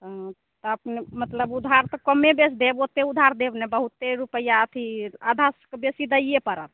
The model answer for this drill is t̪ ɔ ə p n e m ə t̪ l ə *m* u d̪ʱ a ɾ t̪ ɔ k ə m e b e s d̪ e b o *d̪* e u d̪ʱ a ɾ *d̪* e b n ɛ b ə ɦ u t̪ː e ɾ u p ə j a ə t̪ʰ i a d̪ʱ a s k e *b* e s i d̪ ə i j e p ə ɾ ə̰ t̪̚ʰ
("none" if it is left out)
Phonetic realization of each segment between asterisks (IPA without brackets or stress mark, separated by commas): b, t̪, d̪, b